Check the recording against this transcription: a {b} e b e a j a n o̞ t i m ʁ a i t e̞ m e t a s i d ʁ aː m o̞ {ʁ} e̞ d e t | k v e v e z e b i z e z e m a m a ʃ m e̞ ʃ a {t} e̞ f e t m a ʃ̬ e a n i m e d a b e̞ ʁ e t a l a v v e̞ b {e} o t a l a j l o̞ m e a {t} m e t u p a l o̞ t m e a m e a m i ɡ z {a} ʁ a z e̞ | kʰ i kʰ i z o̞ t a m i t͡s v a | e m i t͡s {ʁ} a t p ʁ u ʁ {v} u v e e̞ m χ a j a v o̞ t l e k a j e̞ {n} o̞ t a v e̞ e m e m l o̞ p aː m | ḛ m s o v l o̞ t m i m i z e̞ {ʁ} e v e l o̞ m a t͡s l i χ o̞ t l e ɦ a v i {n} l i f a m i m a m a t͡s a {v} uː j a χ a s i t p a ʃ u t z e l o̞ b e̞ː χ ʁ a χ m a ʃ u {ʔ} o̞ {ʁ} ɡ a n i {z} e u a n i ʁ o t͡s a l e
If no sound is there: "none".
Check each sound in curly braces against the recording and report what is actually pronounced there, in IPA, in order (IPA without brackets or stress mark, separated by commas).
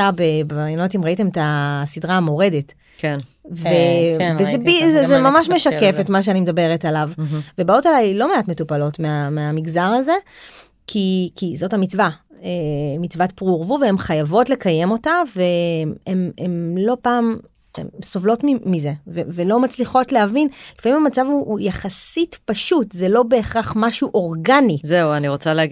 b, ʁ, k, a, t, a, v, v, m, v, n, v, ʔ, ʁ, z